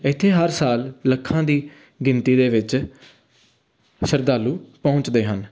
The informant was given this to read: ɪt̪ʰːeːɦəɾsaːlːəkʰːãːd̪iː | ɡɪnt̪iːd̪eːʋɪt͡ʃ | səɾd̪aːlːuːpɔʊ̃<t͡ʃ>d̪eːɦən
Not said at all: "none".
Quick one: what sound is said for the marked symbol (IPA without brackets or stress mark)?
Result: t͡ʃ